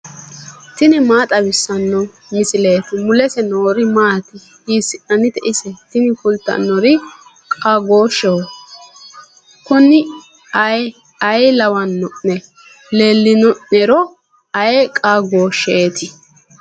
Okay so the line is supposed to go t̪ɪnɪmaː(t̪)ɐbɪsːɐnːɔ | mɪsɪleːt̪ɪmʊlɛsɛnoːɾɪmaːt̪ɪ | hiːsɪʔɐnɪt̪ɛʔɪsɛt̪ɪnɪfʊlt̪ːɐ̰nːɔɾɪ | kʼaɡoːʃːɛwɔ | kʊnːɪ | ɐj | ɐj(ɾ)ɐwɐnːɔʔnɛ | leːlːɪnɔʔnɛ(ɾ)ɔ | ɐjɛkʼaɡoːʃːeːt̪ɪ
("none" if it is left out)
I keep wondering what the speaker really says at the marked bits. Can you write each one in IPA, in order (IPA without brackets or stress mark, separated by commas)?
t̪ʼ, l, ɾ